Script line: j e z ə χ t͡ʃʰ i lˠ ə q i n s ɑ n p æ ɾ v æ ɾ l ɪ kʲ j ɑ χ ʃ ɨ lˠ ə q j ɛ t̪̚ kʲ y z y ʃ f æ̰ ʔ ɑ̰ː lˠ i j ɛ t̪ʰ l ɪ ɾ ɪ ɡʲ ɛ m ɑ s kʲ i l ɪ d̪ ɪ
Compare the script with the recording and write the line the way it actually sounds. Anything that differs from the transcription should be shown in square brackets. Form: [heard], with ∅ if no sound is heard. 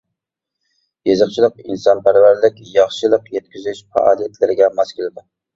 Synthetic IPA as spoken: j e z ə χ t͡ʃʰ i lˠ ə q i n s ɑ n p æ ɾ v æ ɾ l ɪ kʲ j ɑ χ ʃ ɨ lˠ ə q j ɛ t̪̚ kʲ y z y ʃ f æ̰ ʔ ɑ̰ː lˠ i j ɛ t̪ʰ l ɪ ɾ ɪ ɡʲ ɛ m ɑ s kʲ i l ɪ d̪ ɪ